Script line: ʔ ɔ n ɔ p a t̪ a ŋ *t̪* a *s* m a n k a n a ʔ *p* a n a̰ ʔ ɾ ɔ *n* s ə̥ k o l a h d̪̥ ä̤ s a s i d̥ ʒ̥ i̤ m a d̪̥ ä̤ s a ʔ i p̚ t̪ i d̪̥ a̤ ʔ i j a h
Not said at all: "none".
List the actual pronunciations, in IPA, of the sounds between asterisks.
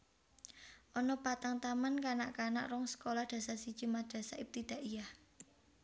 t̪, none, k, ŋ

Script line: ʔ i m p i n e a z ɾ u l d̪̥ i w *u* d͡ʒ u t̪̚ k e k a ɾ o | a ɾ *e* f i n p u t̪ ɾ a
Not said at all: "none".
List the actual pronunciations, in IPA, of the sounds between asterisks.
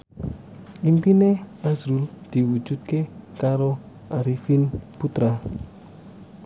u, i

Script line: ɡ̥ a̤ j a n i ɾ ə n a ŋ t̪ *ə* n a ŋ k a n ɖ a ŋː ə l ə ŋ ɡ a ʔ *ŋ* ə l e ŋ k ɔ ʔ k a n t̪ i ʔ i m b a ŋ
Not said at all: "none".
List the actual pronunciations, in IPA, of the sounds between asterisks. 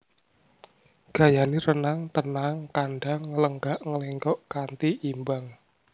ə, ŋ

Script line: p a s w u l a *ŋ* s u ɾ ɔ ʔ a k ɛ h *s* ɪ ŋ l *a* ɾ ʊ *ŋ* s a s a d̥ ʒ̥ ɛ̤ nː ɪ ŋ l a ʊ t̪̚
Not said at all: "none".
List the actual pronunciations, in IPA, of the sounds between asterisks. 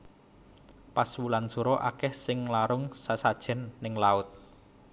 n, s, a, ŋ

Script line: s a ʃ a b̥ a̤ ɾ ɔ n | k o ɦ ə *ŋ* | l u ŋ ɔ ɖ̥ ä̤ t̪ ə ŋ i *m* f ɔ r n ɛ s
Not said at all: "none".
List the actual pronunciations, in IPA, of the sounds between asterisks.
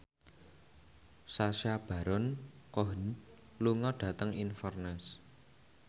n, n

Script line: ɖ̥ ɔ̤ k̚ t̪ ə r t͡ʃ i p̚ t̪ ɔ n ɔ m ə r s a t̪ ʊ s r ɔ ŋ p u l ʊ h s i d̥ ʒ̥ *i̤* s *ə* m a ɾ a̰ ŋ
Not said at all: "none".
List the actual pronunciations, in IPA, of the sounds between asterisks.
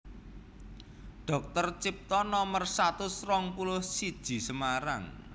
i̤, ə

